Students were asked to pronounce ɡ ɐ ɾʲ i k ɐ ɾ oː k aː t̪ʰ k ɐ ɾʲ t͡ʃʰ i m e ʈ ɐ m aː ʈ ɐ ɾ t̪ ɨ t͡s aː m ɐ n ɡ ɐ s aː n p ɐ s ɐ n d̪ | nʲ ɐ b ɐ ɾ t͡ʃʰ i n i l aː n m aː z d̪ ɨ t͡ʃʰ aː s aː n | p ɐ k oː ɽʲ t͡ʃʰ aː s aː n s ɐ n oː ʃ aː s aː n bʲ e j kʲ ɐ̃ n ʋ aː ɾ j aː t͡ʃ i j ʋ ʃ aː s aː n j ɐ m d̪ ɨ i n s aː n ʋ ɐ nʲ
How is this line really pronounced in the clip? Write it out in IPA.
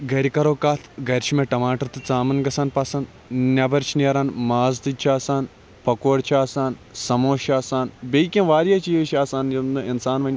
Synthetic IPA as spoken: ɡ ɐ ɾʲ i k ɐ ɾ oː k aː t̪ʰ ɡ ɐ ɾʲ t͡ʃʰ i m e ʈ ɐ m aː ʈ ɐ ɾ t̪ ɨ t͡s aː m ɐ n ɡ ɐ s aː n p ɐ s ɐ n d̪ | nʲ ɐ b ɐ ɾ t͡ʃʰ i n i ɾ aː n m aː z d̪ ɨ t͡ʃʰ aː s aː n | p ɐ k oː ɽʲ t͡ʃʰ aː s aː n s ɐ m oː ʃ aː s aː n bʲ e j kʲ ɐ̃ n ʋ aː ɾ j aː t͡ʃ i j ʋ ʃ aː s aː n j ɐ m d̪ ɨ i n s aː n ʋ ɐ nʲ